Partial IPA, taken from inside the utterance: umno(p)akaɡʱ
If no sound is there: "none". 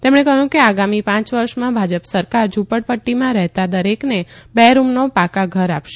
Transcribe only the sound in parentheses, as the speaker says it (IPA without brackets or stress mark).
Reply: p